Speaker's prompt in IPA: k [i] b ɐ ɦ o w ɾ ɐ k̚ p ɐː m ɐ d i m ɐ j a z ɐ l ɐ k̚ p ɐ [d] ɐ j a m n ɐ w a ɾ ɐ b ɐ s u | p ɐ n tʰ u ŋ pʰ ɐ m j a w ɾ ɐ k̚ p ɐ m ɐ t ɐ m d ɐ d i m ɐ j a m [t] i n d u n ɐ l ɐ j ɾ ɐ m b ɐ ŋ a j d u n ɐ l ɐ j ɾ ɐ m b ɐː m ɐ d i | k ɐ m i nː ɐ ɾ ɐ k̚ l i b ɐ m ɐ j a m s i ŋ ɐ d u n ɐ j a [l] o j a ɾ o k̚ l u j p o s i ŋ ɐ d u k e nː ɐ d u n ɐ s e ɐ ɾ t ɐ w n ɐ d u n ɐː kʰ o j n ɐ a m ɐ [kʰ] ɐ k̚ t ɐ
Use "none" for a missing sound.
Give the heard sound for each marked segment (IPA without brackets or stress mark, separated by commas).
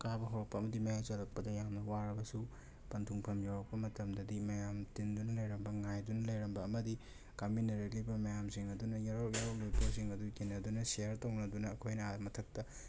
a, d, t, ɾ, tʰ